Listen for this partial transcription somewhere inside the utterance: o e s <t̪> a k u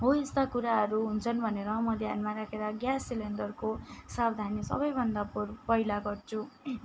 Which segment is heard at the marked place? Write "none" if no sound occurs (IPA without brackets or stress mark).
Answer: t̪